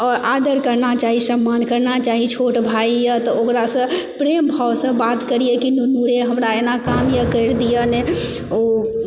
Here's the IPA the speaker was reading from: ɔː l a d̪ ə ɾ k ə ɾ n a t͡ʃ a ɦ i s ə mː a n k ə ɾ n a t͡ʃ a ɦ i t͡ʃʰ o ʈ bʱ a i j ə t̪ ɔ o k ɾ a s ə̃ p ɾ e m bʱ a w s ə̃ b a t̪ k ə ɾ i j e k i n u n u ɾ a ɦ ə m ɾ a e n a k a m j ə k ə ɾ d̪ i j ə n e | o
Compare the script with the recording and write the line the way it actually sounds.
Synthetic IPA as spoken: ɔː ɾ a d̪ ə ɾ k ə ɾ n a t͡ʃ a ɦ i s ə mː a n k ə ɾ n a t͡ʃ a ɦ i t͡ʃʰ o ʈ bʱ a i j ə t̪ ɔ o k ɾ a s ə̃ p ɾ e m bʱ a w s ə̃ b a t̪ k ə ɾ i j e k i n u n u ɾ e ɦ ə m ɾ a e n a k a m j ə k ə ɾ d̪ i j ə n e | o